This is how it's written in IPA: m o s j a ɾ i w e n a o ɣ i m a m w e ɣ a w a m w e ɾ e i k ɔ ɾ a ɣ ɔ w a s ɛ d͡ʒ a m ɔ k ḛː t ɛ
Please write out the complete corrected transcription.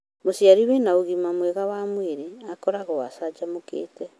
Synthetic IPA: m o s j a ɾ i w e n a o ɣ i m a m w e ɣ a w a m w e ɾ e a k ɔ ɾ a ɣ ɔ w a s a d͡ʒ a m o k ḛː t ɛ